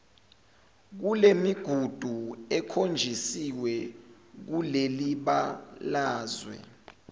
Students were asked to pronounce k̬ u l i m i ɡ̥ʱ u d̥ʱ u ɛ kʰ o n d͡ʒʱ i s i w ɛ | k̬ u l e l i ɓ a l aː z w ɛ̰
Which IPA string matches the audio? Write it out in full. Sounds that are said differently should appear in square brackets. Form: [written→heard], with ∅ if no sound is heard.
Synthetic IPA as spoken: k̬ u l [i→e] m i ɡ̥ʱ u d̥ʱ u ɛ kʰ o n d͡ʒʱ i s i w ɛ | k̬ u l e l i ɓ a l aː z w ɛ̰